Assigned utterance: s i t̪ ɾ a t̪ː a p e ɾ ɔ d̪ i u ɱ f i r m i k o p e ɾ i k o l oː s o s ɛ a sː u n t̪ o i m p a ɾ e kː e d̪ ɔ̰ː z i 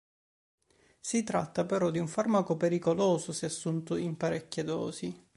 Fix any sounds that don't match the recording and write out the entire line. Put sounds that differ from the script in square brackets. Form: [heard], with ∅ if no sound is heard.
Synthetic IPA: s i t̪ ɾ a t̪ː a p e ɾ ɔ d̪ i u ɱ f [a] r m [a] k o p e ɾ i k o l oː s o s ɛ a sː u n t̪ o i m p a ɾ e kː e d̪ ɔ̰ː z i